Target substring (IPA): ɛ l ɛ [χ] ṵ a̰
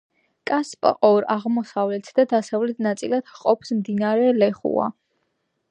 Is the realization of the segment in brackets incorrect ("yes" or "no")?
no